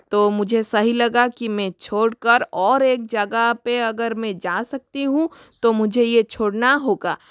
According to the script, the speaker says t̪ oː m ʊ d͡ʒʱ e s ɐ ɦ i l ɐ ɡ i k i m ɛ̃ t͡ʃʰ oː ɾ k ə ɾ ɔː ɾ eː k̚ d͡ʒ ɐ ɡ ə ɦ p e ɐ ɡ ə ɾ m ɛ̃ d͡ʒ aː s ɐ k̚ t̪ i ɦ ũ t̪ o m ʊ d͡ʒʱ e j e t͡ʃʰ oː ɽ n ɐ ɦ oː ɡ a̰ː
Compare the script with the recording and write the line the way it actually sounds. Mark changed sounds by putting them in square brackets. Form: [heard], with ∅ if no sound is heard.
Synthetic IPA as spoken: t̪ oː m ʊ d͡ʒʱ e s ɐ ɦ i l ɐ ɡ [a] k i m ɛ̃ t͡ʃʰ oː [ɽ] k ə ɾ ɔː ɾ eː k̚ d͡ʒ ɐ ɡ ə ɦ p e ɐ ɡ ə ɾ m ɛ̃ d͡ʒ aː s ɐ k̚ t̪ i ɦ ũ t̪ o m ʊ d͡ʒʱ e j e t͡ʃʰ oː ɽ n [a] ɦ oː ɡ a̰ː